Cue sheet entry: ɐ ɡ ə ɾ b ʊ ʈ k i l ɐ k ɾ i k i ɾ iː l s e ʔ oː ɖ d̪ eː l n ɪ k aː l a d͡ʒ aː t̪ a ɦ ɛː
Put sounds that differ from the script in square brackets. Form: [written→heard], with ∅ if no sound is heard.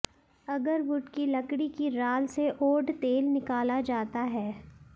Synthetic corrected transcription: ɐ ɡ ə ɾ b ʊ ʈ k i l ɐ k [ɾ→ɽ] i k i ɾ [iː→aː] l s e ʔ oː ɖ [d̪→t̪] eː l n ɪ k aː l a d͡ʒ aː t̪ a ɦ ɛː